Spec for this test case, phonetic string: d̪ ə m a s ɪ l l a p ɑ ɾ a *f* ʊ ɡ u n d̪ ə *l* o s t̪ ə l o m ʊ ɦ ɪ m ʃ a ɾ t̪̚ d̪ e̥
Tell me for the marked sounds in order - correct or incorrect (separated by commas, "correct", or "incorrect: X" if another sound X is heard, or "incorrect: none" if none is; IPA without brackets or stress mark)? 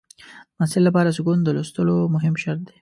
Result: incorrect: s, correct